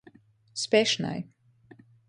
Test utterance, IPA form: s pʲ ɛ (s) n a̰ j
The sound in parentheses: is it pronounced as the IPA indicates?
no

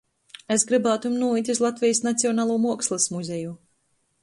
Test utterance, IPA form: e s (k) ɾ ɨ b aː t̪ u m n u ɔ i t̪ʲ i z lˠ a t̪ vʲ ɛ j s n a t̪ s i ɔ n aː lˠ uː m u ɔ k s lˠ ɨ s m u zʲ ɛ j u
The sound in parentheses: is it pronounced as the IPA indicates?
no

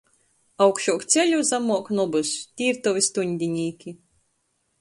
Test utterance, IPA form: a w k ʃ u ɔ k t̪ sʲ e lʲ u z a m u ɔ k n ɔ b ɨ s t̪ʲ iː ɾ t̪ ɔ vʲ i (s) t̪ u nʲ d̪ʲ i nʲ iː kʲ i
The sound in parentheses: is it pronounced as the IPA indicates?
yes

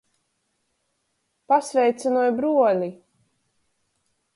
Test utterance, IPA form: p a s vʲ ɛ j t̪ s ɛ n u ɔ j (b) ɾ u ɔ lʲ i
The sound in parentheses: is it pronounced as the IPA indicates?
yes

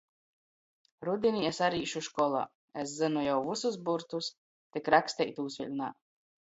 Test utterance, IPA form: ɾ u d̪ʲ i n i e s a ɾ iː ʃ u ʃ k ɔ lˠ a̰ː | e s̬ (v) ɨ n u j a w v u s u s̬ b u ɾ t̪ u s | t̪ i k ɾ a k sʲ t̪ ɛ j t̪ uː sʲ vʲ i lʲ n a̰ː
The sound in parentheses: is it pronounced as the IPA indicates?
no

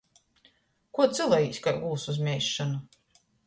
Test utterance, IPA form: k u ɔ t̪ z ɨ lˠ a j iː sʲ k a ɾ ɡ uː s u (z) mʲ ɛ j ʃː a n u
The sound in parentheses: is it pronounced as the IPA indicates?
yes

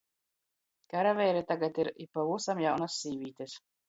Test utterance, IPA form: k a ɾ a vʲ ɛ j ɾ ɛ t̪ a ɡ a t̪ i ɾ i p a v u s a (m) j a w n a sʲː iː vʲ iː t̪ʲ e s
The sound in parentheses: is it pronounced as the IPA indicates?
yes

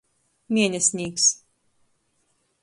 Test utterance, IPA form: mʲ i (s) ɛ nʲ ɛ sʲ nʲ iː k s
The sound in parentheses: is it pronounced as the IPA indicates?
no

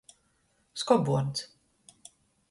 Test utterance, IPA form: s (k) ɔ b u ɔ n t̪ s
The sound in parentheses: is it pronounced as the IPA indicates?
yes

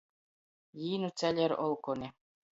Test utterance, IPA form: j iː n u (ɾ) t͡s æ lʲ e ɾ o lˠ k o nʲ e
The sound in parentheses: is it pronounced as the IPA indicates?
no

